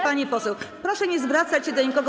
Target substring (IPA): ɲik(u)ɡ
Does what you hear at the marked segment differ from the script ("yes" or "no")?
yes